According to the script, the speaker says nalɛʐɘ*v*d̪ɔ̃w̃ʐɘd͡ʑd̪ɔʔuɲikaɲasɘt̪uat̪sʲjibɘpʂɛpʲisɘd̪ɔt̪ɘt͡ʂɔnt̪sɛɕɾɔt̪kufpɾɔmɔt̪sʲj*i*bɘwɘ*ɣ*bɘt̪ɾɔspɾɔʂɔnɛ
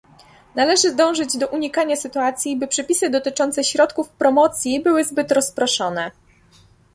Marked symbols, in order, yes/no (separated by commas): no, yes, no